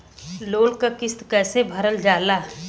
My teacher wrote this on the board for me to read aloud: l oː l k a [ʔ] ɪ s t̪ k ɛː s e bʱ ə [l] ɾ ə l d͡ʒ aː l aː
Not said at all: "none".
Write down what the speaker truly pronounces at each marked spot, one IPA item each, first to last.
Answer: k, none

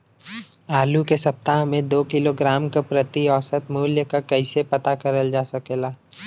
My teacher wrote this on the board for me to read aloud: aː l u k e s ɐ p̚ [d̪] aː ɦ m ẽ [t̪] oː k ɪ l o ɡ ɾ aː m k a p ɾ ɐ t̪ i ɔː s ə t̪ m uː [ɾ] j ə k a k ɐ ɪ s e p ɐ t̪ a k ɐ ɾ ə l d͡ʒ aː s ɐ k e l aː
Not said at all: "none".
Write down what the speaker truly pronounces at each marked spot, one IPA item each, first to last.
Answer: t̪, d̪, l

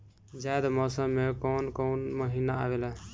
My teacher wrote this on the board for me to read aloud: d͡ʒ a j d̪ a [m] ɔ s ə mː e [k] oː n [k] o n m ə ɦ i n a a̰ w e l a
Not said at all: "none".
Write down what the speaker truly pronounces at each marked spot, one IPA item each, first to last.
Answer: m, k, k

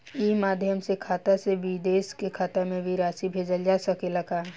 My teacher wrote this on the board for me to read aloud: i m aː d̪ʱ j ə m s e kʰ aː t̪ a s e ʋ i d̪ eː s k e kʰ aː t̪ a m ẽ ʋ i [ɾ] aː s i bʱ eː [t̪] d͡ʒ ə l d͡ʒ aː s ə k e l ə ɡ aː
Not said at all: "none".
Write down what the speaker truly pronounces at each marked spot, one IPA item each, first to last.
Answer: ɾ, none

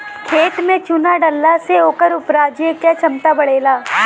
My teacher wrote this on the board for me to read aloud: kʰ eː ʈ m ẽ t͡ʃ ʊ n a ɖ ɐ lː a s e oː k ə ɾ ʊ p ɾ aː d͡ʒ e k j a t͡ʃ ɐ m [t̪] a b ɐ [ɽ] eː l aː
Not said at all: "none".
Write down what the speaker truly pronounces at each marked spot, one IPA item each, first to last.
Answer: t̪, ɽ

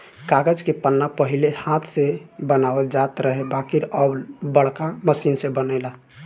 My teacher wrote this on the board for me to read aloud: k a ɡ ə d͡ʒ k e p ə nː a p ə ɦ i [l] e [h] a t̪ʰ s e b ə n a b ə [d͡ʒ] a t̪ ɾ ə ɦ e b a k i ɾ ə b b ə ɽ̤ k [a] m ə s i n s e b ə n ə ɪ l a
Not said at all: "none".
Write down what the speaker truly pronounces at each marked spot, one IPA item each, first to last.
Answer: l, h, d͡ʒ, a

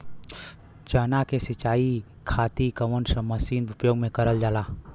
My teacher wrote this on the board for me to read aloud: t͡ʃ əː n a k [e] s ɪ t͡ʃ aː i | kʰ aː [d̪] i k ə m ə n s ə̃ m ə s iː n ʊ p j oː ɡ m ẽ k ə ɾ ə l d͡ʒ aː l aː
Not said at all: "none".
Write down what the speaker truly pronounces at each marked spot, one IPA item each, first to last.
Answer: e, t̪

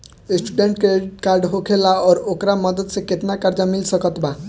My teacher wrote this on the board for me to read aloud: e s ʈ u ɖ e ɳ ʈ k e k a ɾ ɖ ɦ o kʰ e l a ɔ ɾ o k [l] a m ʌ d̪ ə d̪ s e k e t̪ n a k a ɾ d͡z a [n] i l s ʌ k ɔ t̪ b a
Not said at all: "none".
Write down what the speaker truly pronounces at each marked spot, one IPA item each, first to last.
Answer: ɾ, m

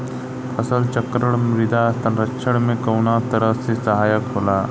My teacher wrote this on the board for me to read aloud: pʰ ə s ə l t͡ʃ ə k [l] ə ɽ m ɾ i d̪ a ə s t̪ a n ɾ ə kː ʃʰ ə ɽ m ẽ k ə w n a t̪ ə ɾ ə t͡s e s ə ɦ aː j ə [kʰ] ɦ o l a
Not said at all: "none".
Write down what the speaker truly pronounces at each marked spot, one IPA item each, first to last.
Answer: ɾ, k

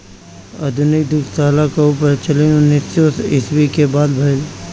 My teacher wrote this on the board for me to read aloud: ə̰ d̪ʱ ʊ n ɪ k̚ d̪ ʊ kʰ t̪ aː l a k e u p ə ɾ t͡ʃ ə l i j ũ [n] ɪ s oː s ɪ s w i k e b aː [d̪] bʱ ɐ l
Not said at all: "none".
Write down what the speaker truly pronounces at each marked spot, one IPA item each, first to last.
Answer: n, d̪

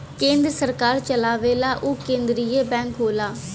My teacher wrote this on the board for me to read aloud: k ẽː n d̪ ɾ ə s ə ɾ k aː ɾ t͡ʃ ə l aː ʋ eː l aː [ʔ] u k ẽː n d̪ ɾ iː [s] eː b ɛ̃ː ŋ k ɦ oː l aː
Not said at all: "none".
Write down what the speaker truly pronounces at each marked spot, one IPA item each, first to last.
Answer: ʔ, none

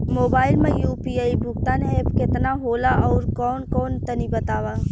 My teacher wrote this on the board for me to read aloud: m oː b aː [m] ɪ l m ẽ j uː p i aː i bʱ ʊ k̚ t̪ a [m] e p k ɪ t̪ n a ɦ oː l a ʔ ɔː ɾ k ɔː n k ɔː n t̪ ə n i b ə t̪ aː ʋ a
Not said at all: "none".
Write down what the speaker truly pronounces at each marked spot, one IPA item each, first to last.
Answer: none, n

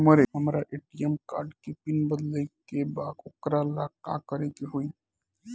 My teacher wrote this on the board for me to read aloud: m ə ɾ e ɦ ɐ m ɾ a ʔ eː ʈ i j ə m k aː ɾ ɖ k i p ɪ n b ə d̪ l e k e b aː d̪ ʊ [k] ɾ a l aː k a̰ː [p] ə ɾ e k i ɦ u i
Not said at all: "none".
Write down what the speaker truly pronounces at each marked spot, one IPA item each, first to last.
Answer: k, k

